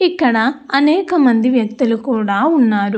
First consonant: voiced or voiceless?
voiceless